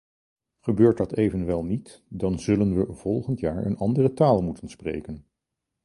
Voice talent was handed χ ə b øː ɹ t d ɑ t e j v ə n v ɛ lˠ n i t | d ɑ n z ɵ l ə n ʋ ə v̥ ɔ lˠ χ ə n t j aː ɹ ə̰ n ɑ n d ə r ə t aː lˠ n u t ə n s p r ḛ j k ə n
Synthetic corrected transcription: χ ə b øː ɹ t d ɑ t e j v ə n ʋ ɛ lˠ n i t | d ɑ n z ɵ l ə n ʋ ə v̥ ɔ lˠ χ ə n t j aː ɹ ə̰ n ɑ n d ə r ə t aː lˠ m u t ə n s p r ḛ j k ə n